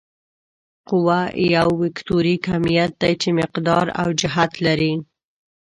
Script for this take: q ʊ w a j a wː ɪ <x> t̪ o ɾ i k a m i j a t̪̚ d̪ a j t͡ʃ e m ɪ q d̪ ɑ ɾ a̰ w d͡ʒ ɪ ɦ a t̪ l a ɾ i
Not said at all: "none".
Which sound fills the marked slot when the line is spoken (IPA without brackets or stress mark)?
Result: k